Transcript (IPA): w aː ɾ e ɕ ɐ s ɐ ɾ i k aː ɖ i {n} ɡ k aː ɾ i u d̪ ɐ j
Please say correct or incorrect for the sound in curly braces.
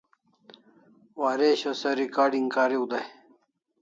incorrect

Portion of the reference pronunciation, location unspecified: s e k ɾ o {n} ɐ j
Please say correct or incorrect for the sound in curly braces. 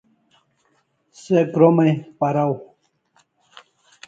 incorrect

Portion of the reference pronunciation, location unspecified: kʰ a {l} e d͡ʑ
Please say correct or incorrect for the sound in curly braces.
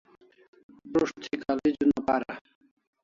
correct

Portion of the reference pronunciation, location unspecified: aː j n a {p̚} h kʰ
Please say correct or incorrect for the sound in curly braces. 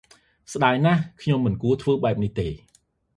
incorrect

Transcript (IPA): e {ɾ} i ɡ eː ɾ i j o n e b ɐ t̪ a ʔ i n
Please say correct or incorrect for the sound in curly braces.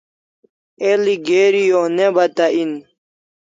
incorrect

